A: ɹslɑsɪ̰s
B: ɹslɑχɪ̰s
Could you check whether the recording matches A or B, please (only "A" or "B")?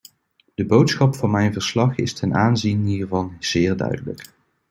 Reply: B